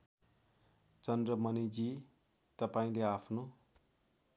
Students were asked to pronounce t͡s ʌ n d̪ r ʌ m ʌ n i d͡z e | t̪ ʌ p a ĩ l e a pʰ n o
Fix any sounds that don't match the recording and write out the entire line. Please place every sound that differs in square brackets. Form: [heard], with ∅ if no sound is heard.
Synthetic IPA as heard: t͡s ʌ n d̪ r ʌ m ʌ n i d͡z [i] | t̪ ʌ p a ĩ l e a pʰ n o